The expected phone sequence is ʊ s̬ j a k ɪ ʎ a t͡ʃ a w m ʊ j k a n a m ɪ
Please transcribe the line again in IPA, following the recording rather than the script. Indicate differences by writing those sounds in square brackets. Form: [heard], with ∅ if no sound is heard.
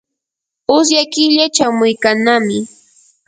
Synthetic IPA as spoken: ʊ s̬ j a k ɪ ʎ a t͡ʃ a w m ʊ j k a n a m ɪ